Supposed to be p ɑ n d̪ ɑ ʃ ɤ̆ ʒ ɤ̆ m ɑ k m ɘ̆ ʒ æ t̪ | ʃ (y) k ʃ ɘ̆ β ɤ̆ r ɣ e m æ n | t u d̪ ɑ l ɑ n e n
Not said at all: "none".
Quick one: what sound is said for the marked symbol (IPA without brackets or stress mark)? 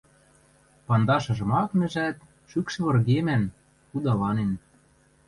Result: y